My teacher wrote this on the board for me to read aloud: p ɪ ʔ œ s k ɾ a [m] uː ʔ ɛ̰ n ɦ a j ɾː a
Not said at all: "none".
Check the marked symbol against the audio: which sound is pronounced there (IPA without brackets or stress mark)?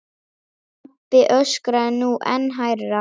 n